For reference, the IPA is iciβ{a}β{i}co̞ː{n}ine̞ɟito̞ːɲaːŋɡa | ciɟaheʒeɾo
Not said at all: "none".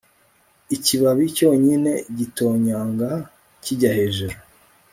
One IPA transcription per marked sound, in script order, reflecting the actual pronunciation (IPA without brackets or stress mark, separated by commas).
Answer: a, i, ɲ